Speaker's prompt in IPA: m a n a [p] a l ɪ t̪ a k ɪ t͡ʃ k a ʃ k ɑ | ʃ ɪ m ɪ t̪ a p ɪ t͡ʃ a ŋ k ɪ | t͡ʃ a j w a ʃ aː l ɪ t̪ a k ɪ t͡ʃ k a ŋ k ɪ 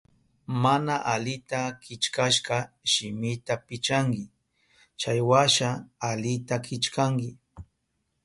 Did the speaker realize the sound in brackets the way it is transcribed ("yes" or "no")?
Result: no